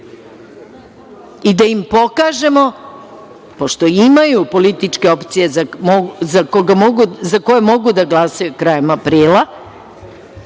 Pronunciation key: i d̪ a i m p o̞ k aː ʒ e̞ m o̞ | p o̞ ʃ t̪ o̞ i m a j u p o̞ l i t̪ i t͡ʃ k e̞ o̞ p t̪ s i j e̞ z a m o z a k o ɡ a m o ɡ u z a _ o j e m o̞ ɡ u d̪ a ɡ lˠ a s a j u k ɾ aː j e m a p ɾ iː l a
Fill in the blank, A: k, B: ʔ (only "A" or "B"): A